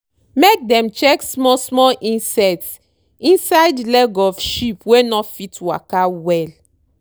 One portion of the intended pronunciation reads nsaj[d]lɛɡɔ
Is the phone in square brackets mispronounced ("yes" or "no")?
no